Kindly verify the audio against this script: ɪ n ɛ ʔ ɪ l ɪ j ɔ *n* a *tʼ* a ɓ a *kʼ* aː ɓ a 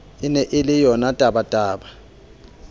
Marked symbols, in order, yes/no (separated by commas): yes, yes, no